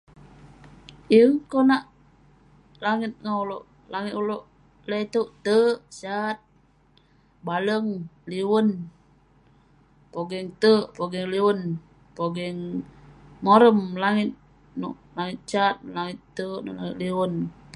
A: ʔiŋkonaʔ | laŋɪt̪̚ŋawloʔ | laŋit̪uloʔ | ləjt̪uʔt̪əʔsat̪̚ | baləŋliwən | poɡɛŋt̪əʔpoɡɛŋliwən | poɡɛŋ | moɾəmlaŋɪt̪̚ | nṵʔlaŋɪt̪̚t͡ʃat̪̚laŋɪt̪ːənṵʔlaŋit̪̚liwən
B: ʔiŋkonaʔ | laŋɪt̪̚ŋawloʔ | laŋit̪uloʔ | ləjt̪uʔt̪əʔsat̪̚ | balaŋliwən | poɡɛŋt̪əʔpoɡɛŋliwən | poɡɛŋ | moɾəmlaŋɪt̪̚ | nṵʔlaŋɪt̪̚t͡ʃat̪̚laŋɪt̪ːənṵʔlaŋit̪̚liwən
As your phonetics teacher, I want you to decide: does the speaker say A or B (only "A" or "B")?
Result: A